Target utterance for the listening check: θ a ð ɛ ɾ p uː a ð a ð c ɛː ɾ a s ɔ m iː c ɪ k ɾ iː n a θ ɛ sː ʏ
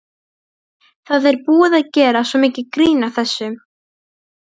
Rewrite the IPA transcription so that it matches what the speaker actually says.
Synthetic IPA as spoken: θ a ð ɛ ɾ p uː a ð a ð c ɛː ɾ a s ɔ m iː c ɪ k ɾ iː n a θ ɛ sː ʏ

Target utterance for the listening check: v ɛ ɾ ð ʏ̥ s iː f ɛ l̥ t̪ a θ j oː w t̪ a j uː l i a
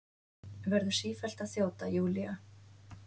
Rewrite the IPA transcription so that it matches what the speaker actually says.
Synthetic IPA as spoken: v ɛ ɾ ð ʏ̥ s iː f ɛ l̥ t̪ a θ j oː w t̪ a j uː l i a

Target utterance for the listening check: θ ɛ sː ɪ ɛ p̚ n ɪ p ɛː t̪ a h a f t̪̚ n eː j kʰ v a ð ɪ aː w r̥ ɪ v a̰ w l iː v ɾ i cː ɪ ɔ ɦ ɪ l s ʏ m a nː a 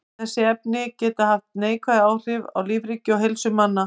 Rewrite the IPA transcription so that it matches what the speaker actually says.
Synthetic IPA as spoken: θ ɛ sː ɪ ɛ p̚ n ɪ c ɛː t̪ a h a f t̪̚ n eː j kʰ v a ð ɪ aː w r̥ ɪ v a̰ w l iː v ɾ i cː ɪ ɔ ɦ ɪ l s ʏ m a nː a

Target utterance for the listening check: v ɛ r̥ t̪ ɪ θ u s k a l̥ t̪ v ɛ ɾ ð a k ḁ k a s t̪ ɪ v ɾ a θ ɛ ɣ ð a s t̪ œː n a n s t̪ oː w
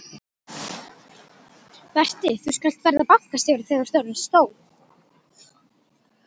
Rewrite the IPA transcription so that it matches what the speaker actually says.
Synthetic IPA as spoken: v ɛ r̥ t̪ ɪ θ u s k a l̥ t̪ v ɛ ɾ ð a p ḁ k a s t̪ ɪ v ɾ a θ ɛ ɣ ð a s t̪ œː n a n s t̪ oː w

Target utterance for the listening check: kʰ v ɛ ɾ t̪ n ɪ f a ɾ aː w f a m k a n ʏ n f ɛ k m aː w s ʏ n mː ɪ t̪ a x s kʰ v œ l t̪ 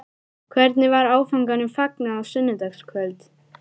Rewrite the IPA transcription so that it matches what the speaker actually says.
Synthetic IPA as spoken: kʰ v ɛ ɾ t̪ n ɪ v a ɾ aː w f a ŋ k a n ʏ m f a k n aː w s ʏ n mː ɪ t̪ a x s kʰ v œ l t̪

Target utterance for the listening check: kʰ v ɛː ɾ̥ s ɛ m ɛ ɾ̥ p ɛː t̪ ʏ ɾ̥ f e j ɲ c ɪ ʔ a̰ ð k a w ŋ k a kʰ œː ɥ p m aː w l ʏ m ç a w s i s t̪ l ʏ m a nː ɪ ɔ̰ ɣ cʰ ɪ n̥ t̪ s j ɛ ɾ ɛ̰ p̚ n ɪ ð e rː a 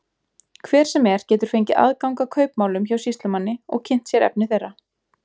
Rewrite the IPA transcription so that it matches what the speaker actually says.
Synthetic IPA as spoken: kʰ v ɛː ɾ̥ s ɛ m ɛ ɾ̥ c ɛː t̪ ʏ ɾ̥ f e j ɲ c ɪ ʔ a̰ ð k a w ŋ k a kʰ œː ɥ p m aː w l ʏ m ç a w s i s t̪ l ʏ m a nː ɪ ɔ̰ ɣ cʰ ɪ n̥ t̪ s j ɛ ɾ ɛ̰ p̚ n ɪ θ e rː a

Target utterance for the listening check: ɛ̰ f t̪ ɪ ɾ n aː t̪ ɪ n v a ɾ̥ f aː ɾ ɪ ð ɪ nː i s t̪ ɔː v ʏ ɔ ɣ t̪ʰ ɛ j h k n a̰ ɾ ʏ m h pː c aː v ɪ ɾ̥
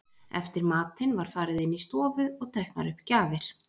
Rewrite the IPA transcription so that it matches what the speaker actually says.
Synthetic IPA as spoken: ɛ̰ f t̪ ɪ ɾ m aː t̪ ɪ n v a ɾ̥ f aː ɾ ɪ ð ɪ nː i s t̪ ɔː v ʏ ɔ ɣ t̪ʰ ɛ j h k n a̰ ɾ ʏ h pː c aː v ɪ ɾ̥

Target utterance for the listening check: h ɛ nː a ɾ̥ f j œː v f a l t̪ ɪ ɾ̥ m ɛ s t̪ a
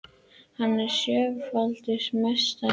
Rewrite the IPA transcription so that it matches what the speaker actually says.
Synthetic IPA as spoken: h a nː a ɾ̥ s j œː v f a l t̪ ɪ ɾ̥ m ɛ s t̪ a

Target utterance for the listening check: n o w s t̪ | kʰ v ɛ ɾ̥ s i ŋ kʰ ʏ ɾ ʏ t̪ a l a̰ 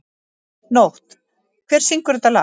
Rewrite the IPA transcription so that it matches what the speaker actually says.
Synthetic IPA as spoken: n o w h t̪ | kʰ v ɛ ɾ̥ s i ŋ k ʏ ɾ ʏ t̪ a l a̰

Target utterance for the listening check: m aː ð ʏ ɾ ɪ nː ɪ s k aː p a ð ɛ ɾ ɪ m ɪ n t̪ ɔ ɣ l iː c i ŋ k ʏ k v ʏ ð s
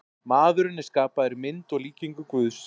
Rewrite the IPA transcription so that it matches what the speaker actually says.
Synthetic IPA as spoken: m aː ð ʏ ɾ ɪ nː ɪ s k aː p a ð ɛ ɾ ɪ m ɪ n t̪ ɔ ɣ l iː c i ŋ k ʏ k v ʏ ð s

